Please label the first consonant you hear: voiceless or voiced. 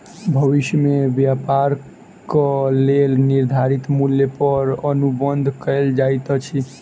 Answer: voiced